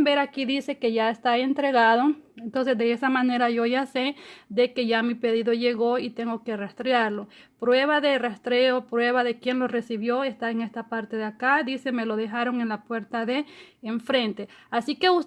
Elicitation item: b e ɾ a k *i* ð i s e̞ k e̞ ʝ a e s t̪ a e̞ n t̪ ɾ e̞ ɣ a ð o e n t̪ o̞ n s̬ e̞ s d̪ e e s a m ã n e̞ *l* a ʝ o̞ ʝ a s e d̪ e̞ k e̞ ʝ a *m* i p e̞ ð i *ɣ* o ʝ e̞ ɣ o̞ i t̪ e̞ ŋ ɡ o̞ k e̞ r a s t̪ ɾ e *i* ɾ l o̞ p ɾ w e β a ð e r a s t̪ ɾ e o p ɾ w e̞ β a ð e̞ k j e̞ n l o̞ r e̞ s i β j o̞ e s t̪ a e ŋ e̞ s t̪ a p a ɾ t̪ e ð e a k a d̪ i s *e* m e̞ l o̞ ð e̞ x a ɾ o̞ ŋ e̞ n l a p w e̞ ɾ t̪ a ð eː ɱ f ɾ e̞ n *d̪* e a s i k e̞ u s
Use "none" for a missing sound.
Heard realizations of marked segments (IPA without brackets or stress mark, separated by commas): i, ɾ, m, ð, a, e, t̪